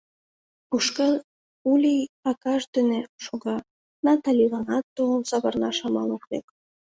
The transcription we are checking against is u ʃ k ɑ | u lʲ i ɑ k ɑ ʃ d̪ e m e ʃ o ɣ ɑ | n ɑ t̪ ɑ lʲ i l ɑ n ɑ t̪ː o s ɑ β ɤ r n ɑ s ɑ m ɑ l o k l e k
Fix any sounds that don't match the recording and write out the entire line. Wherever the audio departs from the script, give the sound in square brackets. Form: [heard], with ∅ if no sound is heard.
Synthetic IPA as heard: u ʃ k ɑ | u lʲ i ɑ k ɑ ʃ d̪ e [n] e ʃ o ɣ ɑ | n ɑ t̪ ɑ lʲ i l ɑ n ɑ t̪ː o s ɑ β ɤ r n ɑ [ʃ] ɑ m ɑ l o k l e k